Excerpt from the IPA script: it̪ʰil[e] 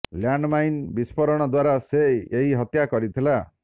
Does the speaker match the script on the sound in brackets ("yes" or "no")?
no